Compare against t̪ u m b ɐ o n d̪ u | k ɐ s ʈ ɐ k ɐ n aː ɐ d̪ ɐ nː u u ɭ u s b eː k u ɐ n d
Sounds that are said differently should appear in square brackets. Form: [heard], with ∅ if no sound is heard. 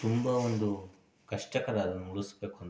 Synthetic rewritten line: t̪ u m b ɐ o n d̪ u | k ɐ [ʂ] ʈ ɐ k ɐ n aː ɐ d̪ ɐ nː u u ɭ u s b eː k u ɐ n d